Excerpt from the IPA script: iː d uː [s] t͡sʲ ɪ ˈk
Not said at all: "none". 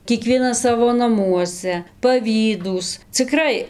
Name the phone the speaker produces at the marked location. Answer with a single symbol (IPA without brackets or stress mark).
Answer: s